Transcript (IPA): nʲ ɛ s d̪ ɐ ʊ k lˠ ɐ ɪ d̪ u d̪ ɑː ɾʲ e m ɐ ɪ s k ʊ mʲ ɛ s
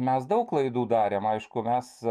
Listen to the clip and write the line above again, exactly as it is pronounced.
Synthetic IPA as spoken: mʲ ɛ s d̪ ɐ ʊ k lˠ ɐ ɪ d̪ uː d̪ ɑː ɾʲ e m ɐ ɪ ʃ k ʊ mʲ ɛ s

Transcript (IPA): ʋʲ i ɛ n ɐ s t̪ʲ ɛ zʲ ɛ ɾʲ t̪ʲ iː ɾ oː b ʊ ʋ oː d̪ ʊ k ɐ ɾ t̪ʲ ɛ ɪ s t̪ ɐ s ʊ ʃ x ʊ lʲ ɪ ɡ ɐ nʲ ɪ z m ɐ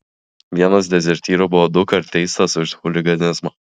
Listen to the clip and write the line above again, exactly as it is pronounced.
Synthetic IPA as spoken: ʋʲ i ɛ n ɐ s d̪ʲ ɛ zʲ ɛ ɾʲ t̪ʲ iː ɾ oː b ʊ ʋ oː d̪ ʊ k ɐ ɾ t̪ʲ ɛ ɪ s t̪ ɐ s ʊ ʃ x ʊ lʲ ɪ ɡ ɐ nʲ ɪ z m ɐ

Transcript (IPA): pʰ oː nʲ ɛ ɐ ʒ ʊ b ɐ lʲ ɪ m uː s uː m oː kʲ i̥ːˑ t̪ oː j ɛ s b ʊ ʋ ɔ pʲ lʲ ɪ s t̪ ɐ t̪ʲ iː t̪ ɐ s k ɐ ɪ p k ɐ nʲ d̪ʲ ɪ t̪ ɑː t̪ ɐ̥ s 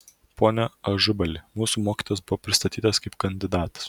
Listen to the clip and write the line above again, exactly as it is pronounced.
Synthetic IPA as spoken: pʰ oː nʲ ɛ ɐ ʒ ʊ b ɐ lʲ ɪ m uː s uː m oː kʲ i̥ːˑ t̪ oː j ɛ s b ʊ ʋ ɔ pʲ ɾʲ ɪ s t̪ ɐ t̪ʲ iː t̪ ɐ s k ɐ ɪ p k ɐ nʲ d̪ʲ ɪ d̪ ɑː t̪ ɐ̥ s

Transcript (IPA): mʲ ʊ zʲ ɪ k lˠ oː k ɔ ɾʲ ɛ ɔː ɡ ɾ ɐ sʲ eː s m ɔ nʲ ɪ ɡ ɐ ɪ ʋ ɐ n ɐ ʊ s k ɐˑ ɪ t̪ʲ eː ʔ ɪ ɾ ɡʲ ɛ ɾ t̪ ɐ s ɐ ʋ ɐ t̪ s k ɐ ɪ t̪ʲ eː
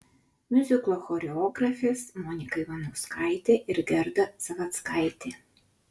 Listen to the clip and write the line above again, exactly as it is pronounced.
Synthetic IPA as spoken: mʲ ʊ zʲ ɪ k lˠ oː x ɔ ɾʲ ɛ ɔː ɡ ɾ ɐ fʲ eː s m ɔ nʲ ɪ k ɐ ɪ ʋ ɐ n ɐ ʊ s k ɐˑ ɪ t̪ʲ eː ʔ ɪ ɾ ɡʲ ɛ ɾ d̪ ɐ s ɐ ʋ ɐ t̪ s k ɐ ɪ t̪ʲ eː

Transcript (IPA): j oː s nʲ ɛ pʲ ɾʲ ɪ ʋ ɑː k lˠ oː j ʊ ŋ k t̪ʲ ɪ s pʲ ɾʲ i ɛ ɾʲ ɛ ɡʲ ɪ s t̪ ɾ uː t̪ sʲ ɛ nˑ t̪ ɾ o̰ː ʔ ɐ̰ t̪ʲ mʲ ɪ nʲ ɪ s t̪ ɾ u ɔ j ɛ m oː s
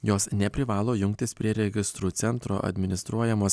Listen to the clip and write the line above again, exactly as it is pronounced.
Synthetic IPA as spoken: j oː s nʲ ɛ pʲ ɾʲ ɪ ʋ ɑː lˠ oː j ʊ ŋ k t̪ʲ ɪ s pʲ ɾʲ i ɛ ɾʲ ɛ ɡʲ ɪ s t̪ ɾ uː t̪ sʲ ɛ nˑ t̪ ɾ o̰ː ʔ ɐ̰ d̪ʲ mʲ ɪ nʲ ɪ s t̪ ɾ u ɔ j ɛ m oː s

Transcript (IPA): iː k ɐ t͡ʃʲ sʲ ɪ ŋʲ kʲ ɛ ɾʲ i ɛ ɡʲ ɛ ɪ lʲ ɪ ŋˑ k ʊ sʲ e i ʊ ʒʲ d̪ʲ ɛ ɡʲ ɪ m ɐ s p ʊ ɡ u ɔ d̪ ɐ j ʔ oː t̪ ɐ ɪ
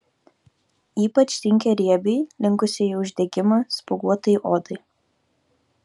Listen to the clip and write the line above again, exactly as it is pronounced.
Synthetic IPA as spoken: iː p ɐ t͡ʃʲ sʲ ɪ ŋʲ kʲ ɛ ɾʲ i ɛ bʲ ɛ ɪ lʲ ɪ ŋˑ k ʊ sʲ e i ʊ ʒʲ d̪ʲ ɛ ɡʲ ɪ m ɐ s p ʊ ɡ u ɔ t̪ ɐ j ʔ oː d̪ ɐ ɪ

